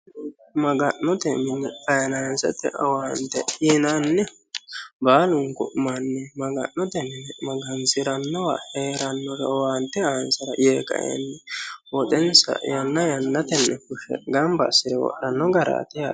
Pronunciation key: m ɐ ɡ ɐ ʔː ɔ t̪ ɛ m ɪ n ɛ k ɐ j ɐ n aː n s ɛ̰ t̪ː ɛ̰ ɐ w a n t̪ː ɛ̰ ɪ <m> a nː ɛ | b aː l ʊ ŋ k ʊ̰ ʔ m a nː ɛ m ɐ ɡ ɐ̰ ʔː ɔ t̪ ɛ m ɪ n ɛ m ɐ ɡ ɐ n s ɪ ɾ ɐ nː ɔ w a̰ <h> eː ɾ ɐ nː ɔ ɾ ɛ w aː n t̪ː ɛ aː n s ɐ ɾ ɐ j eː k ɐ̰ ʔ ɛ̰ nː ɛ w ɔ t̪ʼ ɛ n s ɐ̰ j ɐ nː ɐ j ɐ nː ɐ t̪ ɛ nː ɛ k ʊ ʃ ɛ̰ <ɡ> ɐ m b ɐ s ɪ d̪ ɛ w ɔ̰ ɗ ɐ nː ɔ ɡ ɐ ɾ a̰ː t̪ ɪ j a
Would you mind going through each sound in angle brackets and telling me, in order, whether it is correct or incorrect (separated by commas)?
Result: incorrect, correct, correct